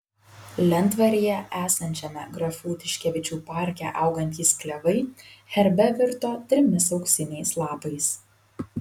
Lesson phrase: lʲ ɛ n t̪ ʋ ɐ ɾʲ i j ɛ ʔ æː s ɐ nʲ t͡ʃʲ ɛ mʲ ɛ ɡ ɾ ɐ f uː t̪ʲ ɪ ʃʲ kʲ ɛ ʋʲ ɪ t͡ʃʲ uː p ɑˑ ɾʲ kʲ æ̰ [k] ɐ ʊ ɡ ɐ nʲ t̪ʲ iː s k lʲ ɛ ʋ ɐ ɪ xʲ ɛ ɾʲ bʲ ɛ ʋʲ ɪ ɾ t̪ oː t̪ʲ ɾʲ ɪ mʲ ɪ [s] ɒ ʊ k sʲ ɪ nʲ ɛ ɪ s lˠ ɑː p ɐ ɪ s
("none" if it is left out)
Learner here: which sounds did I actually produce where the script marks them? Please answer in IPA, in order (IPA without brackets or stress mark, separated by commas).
ʔ, s